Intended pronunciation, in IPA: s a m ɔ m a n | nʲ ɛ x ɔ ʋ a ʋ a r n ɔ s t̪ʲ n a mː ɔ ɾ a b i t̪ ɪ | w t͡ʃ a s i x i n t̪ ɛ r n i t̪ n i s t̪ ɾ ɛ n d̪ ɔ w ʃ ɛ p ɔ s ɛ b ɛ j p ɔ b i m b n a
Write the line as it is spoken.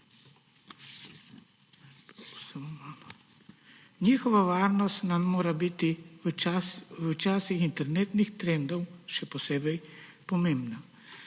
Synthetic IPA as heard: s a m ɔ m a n | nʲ i x ɔ ʋ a ʋ a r n ɔ s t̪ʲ n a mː ɔ ɾ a b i t̪ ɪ | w t͡ʃ a s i x i n t̪ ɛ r n ɛ t̪ n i x t̪ ɾ ɛ n d̪ ɔ w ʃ ɛ p ɔ s ɛ b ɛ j p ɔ m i m b n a

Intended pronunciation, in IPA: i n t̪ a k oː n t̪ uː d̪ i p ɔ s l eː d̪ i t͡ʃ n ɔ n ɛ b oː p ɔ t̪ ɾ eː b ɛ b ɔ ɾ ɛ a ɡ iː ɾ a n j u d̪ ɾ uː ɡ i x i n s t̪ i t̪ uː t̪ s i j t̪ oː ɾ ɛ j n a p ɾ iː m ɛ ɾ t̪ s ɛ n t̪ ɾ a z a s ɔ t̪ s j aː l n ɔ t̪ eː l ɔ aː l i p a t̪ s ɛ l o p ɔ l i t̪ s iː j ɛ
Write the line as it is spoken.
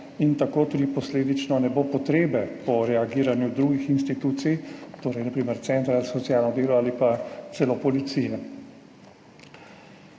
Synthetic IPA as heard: i n t̪ a k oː t̪ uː d̪ i p ɔ s l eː d̪ i t͡ʃ n ɔ n ɛ b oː p ɔ t̪ ɾ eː b ɛ p ɔ ɾ ɛ a ɡ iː ɾ a n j u d̪ ɾ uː ɡ i x i n s t̪ i t̪ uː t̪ s i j t̪ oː ɾ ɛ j n a p ɾ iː m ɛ ɾ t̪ s ɛ n t̪ ɾ a z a s ɔ t̪ s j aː l n ɔ d̪ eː l ɔ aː l i p a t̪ s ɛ l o p ɔ l i t̪ s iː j ɛ

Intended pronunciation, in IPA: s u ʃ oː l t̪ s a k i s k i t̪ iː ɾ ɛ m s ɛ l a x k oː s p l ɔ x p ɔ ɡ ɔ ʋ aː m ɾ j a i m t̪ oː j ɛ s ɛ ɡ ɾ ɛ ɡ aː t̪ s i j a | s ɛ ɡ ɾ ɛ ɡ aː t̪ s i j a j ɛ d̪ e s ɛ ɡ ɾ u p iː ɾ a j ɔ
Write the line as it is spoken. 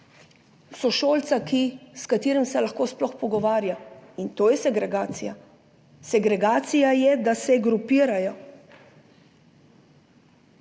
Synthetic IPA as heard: s ɔ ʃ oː l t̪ s a k i s k a t̪ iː ɾ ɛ m s ɛ l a x k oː s p l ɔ x p ɔ ɡ ɔ ʋ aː ɾ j a i n t̪ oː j ɛ s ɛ ɡ ɾ ɛ ɡ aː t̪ s i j a | s ɛ ɡ ɾ ɛ ɡ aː t̪ s i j a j ɛ d̪ a s ɛ ɡ ɾ u p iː ɾ a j ɔ

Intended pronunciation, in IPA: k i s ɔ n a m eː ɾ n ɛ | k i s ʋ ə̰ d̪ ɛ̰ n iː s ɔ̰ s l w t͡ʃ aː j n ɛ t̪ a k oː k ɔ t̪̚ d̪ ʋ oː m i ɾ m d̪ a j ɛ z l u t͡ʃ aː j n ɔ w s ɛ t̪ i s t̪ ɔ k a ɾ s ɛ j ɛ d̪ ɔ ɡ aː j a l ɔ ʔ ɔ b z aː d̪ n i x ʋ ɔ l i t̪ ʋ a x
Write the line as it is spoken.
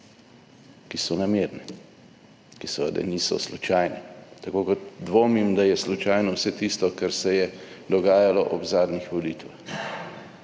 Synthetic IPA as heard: k i s ɔ n a m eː ɾ n ɛ | k i s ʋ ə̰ d̪ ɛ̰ n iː s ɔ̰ s l u t͡ʃ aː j n ɛ t̪ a k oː k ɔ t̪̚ d̪ ʋ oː m i m d̪ a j ɛ s l u t͡ʃ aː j n ɔ w s ɛ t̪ i s t̪ ɔ k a ɾ s ɛ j ɛ d̪ ɔ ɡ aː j a l ɔ ʔ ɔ b z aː d̪ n i x ʋ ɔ l i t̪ ʋ a x

